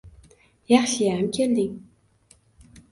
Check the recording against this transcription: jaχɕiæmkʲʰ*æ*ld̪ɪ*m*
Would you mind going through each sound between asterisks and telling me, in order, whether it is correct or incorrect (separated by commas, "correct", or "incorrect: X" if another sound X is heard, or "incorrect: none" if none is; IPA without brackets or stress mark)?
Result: incorrect: e, incorrect: ŋ